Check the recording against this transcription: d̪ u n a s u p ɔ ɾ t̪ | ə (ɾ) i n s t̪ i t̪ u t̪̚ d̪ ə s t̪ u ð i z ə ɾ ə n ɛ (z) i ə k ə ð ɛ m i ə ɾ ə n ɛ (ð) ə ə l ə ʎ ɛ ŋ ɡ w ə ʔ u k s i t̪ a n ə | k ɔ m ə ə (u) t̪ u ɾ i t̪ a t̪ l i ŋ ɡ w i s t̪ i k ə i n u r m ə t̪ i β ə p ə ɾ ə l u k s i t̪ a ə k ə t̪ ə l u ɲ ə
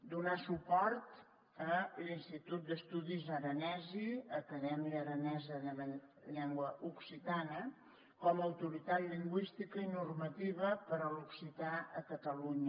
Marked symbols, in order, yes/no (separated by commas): no, yes, no, no